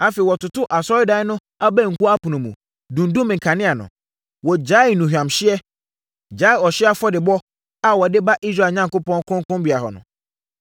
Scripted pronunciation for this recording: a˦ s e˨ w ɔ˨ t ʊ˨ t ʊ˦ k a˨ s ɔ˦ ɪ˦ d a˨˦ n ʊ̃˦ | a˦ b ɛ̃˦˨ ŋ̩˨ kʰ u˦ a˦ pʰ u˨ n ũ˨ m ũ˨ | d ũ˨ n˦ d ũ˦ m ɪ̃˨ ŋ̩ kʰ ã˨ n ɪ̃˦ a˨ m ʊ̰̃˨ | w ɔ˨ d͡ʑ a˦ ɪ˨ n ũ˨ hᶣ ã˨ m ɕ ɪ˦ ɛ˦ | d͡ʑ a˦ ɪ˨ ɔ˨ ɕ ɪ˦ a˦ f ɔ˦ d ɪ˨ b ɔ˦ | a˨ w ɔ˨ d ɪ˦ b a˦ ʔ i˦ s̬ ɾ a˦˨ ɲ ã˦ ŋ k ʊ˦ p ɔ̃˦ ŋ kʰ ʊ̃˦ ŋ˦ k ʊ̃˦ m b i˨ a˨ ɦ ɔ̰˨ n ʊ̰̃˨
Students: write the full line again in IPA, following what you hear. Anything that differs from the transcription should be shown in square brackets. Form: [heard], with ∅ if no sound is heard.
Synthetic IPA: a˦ [f] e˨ w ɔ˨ t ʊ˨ t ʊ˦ [ʔ] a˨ s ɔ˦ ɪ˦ d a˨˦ n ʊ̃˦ | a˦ b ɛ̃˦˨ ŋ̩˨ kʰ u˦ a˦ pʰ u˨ n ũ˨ m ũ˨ | d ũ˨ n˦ d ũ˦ m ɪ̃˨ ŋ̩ kʰ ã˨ n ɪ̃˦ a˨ [n] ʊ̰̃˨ | w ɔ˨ d͡ʑ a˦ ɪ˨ n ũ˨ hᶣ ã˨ m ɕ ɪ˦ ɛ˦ | d͡ʑ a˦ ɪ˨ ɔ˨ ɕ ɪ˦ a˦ f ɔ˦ d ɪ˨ b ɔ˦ | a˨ w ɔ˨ d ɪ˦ b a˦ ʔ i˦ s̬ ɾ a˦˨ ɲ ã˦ ŋ k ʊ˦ p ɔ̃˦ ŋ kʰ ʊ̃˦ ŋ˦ k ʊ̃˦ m b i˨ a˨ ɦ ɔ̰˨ n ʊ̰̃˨